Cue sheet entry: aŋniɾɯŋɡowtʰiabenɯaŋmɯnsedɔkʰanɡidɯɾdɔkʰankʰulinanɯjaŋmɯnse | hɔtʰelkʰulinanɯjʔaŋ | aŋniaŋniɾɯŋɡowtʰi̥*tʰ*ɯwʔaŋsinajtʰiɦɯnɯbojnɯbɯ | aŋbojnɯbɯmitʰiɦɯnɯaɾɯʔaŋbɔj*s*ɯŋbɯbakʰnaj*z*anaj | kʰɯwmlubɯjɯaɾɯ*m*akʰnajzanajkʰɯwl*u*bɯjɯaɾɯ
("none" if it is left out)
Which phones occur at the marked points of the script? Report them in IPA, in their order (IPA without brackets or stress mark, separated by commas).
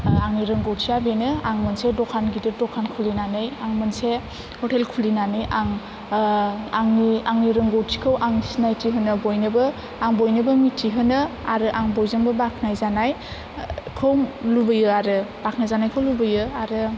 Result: kʰ, z, z, b, u